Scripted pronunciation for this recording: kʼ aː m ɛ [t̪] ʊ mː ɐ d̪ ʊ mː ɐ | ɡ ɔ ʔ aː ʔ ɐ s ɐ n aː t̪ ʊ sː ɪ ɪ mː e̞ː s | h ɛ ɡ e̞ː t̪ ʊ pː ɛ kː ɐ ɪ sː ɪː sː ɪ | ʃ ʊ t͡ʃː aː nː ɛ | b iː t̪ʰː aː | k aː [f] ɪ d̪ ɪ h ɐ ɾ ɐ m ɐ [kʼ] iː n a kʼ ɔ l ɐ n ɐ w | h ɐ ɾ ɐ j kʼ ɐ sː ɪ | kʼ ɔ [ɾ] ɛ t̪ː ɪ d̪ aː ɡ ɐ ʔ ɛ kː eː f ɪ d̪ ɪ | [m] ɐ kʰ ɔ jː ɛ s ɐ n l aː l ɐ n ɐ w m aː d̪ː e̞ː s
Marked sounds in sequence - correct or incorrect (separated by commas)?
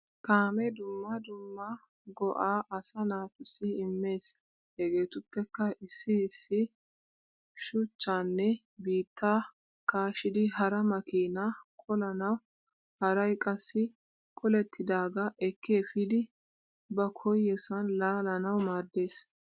incorrect, incorrect, incorrect, incorrect, incorrect